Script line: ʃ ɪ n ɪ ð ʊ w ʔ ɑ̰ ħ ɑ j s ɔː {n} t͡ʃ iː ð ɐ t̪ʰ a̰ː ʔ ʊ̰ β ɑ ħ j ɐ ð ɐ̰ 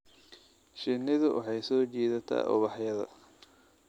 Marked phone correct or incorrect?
incorrect